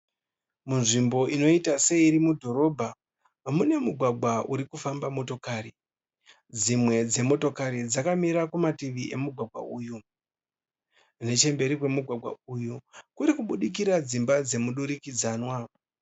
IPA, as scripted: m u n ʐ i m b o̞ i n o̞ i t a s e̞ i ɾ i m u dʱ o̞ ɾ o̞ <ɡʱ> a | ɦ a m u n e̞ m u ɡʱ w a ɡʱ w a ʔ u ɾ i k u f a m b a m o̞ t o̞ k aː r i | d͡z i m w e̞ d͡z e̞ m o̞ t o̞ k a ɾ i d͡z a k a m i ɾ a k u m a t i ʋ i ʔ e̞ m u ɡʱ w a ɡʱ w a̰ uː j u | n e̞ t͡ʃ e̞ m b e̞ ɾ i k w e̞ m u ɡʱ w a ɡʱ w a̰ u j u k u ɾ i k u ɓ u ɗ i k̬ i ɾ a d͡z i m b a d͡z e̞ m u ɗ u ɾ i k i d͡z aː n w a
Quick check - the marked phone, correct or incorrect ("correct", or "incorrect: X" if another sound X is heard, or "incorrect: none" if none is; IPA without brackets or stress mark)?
incorrect: bʱ